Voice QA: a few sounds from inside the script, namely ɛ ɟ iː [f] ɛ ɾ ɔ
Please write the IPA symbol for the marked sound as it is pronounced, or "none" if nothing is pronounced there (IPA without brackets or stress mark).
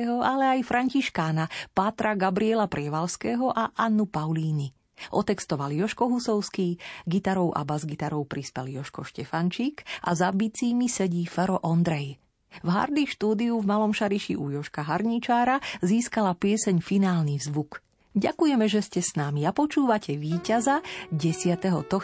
f